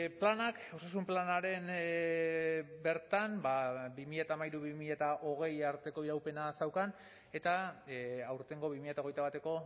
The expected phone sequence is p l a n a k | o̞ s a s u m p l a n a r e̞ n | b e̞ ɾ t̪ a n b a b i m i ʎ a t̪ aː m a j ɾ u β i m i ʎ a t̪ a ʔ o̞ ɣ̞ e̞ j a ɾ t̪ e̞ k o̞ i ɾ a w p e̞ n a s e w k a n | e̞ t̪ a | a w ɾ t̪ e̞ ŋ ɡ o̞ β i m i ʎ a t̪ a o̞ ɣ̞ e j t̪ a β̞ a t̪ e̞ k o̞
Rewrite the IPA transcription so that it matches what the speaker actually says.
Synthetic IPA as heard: p l a n a k | o̞ s a s u m p l a n a ɾ e̞ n | b e̞ ɾ t̪ a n b a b i m i ʎ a t̪ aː m a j ɾ u β i m i ʎ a t̪ a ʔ o̞ ɣ̞ e̞ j a ɾ t̪ e̞ k o̞ i ɾ a w p e̞ n a s a w k a n | e̞ t̪ a | a w ɾ t̪ e̞ ŋ ɡ o̞ β i m i ʎ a t̪ a o̞ ɣ̞ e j t̪ a β̞ a t̪ e̞ k o̞